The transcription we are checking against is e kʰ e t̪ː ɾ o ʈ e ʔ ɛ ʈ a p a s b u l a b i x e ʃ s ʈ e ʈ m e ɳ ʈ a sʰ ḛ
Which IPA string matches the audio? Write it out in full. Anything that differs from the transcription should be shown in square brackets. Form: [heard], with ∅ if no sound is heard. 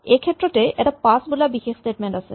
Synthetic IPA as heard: e kʰ e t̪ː ɾ o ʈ e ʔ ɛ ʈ a p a s b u l a b i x e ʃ s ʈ e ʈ m e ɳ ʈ a sʰ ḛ